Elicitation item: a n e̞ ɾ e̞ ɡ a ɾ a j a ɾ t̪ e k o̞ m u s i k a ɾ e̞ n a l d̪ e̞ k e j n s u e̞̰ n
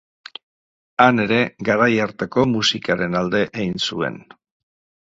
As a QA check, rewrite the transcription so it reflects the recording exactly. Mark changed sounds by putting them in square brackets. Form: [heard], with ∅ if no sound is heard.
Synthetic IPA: a n e̞ ɾ e̞ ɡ a ɾ a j a ɾ t̪ e k o̞ m u s i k a ɾ e̞ n a l d̪ e̞ [ʔ] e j n s u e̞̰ n

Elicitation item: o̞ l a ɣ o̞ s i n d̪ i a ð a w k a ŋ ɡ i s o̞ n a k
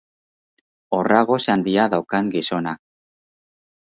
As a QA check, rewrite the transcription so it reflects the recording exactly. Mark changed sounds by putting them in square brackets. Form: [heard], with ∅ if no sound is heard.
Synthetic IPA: o̞ [r] a ɣ o̞ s [a] n d̪ i a ð a w k a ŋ ɡ i s o̞ n a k

